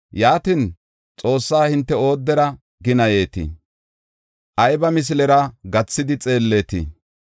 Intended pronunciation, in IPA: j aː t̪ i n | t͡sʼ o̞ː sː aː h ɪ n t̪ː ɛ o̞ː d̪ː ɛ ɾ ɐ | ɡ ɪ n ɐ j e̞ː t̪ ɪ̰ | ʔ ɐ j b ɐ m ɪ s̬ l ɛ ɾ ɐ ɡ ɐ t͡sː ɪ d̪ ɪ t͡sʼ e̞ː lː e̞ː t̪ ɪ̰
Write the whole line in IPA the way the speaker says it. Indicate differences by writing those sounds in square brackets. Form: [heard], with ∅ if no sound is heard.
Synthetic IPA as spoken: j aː t̪ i n | t͡sʼ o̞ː sː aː h ɪ n t̪ː ɛ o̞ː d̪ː ɛ ɾ ɐ | ɡ ɪ n ɐ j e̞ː t̪ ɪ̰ | ʔ ɐ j b ɐ m ɪ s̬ l ɛ ɾ ɐ ɡ ɐ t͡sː ɪ d̪ ɪ t͡sʼ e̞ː lː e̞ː t̪ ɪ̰